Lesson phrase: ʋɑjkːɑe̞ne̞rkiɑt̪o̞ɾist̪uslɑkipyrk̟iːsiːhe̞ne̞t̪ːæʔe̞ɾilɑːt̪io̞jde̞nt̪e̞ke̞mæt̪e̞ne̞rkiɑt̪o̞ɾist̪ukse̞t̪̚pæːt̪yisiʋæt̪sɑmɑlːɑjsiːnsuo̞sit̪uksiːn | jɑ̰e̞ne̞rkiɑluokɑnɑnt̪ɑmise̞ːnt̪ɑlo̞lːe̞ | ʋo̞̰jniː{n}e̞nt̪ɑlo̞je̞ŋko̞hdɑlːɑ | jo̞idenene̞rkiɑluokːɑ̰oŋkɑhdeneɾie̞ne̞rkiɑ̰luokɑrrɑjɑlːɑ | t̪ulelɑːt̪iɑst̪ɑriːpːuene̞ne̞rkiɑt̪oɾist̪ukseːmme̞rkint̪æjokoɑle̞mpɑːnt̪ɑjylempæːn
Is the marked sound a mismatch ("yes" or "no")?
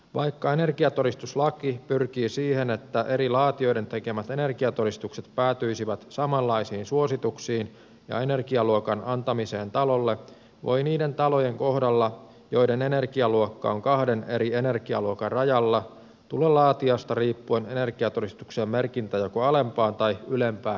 yes